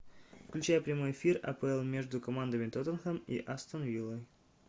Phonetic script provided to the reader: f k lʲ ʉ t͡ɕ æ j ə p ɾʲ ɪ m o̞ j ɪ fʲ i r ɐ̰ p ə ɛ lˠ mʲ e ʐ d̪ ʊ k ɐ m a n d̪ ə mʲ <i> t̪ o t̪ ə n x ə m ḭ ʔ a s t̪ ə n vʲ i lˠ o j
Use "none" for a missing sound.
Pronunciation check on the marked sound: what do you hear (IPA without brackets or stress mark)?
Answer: ɪ